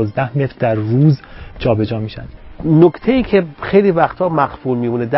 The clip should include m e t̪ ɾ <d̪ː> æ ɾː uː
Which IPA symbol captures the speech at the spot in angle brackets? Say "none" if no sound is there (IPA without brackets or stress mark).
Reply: d̪